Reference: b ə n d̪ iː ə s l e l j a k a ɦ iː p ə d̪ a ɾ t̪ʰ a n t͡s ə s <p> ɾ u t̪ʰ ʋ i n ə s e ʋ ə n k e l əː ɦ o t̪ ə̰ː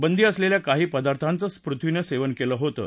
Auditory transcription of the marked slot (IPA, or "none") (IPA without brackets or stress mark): p